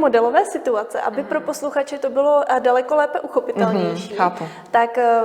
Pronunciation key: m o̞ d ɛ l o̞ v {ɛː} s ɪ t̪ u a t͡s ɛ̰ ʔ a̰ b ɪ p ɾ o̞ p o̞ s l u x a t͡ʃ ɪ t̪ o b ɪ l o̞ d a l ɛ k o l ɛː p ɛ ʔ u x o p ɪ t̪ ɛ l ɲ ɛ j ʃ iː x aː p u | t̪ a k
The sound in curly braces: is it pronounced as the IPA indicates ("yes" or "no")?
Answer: yes